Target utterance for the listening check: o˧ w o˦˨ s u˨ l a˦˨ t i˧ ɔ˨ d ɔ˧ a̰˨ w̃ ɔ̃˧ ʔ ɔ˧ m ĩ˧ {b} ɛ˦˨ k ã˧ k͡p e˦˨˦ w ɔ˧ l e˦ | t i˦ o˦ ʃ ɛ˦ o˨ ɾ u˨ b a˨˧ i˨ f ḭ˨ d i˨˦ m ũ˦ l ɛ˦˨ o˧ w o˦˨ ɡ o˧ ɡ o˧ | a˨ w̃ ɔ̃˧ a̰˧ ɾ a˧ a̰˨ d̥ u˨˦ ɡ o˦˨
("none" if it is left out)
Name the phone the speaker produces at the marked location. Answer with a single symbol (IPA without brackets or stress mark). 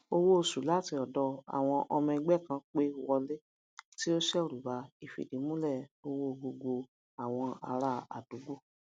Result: ɡ͡b